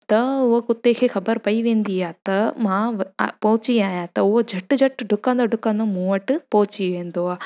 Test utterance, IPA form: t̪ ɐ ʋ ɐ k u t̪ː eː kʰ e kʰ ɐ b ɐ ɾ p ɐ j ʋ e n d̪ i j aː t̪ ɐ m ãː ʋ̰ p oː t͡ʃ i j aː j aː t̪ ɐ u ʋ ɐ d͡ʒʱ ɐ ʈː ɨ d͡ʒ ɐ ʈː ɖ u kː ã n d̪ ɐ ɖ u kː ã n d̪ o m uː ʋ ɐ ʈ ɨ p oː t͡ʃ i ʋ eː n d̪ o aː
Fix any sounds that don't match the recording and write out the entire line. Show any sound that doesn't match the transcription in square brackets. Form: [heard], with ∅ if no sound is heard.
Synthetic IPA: t̪ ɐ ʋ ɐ k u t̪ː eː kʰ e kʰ ɐ b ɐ ɾ p ɐ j ʋ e n d̪ i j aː t̪ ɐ m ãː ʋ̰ p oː t͡ʃ i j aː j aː t̪ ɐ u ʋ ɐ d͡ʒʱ ɐ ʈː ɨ d͡ʒ ɐ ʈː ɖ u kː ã n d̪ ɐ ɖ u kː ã n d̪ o m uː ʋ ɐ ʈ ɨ p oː t͡ʃ i ʋ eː n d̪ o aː